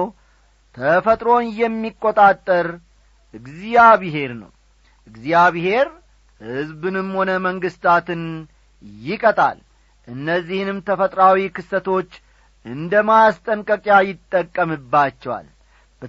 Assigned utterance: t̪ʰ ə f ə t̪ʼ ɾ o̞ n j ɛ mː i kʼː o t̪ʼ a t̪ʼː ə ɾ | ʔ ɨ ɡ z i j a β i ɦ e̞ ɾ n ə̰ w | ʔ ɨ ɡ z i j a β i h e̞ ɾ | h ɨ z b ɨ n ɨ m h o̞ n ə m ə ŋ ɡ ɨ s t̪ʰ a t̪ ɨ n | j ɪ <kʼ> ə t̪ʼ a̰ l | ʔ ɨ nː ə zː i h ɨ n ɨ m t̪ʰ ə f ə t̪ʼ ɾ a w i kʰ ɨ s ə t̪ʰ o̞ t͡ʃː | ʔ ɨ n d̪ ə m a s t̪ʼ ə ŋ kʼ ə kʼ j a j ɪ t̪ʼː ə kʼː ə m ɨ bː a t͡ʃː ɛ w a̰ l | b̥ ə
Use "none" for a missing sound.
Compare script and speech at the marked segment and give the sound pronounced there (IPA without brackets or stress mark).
kʼ